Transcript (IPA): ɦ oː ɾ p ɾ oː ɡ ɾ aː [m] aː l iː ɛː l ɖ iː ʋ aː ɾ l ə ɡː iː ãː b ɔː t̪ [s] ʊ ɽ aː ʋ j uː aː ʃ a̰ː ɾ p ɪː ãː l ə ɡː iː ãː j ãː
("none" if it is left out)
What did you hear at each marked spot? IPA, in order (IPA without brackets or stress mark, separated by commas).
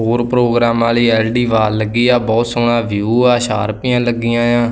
m, s